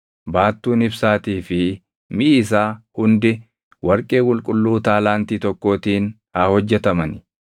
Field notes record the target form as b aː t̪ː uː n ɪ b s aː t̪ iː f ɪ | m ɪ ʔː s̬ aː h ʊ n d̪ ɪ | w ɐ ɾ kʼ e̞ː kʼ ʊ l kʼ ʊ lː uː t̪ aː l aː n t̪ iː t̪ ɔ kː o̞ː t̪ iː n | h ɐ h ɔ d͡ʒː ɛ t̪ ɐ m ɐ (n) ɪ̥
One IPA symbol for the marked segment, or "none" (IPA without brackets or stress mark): n